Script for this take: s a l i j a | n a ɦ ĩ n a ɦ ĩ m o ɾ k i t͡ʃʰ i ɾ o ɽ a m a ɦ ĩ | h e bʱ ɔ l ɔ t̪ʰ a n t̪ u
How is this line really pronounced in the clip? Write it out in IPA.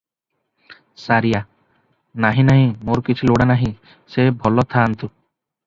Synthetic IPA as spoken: s a ɾ i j a | n a ɦ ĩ n a ɦ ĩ m o ɾ k i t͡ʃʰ i l o ɽ a n a ɦ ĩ | s e bʱ ɔ l ɔ t̪ʰ a n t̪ u